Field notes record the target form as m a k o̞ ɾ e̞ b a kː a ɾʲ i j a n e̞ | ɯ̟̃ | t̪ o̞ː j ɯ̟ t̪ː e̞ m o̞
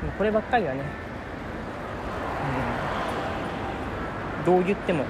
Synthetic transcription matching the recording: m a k o̞ ɾ e̞ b a kː a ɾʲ i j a n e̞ | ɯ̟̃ | d̪ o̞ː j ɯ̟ t̪ː e̞ m o̞